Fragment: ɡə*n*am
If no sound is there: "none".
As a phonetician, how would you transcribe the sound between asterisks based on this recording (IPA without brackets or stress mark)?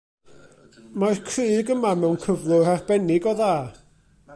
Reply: m